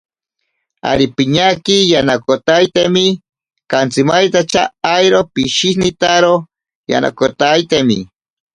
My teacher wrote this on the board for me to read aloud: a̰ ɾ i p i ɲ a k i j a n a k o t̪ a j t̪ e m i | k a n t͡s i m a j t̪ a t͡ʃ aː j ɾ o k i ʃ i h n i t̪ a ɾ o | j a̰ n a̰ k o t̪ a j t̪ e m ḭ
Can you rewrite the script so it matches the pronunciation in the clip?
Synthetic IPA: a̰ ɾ i p i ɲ a k i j a n a k o t̪ a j t̪ e m i | k a n t͡s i m a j t̪ a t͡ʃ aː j ɾ o p i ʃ i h n i t̪ a ɾ o | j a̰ n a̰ k o t̪ a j t̪ e m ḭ